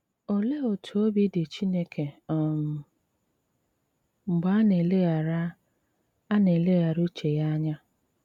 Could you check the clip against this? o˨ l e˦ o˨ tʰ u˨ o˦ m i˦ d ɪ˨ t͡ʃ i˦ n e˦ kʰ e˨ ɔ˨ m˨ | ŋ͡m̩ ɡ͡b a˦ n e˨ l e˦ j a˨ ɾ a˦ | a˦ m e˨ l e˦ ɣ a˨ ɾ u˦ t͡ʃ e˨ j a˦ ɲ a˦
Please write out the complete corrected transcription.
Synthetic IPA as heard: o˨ l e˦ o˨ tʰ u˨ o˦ b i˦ d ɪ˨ t͡ʃ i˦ n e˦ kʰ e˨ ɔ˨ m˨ | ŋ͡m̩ ɡ͡b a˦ n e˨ l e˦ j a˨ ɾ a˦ | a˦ n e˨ l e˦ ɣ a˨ ɾ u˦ t͡ʃ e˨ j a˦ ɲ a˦